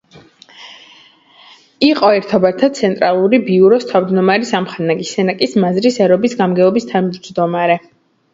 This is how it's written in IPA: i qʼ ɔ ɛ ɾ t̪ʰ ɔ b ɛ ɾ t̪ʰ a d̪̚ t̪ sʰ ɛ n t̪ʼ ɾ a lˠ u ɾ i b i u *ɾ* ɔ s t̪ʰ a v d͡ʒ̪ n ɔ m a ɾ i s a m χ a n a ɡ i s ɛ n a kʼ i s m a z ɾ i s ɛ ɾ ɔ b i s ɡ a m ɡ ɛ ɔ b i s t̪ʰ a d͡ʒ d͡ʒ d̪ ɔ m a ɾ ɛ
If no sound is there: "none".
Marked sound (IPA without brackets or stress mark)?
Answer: ɾ